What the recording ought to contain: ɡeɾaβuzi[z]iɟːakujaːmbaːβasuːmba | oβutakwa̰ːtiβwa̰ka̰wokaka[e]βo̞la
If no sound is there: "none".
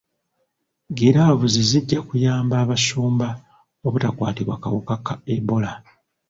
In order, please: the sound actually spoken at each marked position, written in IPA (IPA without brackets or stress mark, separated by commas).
z, e